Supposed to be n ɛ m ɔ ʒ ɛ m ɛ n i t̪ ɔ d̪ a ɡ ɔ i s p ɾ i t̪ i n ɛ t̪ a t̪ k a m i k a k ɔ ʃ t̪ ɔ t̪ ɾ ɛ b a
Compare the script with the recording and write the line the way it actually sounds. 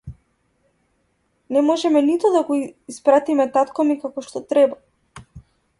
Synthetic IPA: n ɛ m ɔ ʒ ɛ m ɛ n i t̪ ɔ d̪ a ɡ ɔ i s p ɾ a t̪ i m ɛ t̪ a t̪ k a m i k a k ɔ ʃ t̪ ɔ t̪ ɾ ɛ b a